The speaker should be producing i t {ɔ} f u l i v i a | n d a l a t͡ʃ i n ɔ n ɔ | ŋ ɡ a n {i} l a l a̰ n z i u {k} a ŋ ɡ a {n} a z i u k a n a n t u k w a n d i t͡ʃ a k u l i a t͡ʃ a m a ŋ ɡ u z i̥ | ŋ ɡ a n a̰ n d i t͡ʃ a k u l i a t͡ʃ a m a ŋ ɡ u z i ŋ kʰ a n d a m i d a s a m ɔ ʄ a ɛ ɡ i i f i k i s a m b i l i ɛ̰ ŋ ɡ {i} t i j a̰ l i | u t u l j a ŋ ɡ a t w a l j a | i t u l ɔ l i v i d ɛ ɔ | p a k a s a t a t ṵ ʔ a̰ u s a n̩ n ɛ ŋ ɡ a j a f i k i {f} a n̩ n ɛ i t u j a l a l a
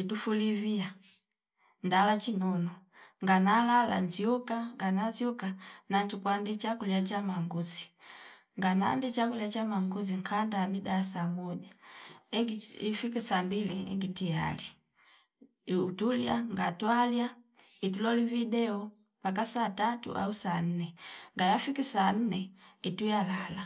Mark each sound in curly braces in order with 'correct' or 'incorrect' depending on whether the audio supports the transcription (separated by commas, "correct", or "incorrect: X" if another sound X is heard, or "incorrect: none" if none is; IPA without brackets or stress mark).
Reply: incorrect: u, incorrect: a, correct, correct, correct, incorrect: s